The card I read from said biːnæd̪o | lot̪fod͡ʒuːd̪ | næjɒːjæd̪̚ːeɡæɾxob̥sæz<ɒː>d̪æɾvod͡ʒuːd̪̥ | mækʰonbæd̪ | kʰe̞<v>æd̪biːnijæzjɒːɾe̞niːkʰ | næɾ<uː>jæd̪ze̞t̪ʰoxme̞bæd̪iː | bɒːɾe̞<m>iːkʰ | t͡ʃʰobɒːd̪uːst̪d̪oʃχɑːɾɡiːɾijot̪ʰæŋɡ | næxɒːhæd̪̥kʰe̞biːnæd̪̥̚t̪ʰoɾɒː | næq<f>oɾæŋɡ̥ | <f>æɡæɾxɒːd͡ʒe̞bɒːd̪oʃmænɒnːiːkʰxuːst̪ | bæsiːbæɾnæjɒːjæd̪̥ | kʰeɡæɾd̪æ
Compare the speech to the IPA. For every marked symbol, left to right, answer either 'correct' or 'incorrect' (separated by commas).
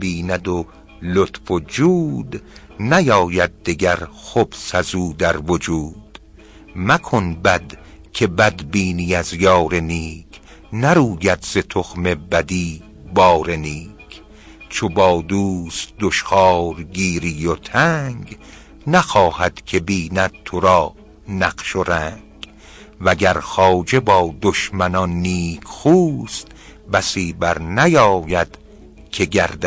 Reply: incorrect, incorrect, correct, incorrect, incorrect, incorrect